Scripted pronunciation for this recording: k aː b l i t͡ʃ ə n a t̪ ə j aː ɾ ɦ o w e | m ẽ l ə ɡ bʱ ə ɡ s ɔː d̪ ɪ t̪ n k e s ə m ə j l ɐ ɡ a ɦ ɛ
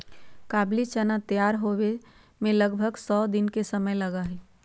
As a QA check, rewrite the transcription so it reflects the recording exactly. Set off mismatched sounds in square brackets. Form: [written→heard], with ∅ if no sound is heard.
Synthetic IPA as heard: k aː b l i t͡ʃ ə n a t̪ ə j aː ɾ ɦ o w e | m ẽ l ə ɡ bʱ ə ɡ s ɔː d̪ ɪ [t̪→∅] n k e s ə m ə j l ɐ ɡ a ɦ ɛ